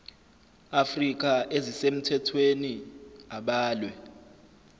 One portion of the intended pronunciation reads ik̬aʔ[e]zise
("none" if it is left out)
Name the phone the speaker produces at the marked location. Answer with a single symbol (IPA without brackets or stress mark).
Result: e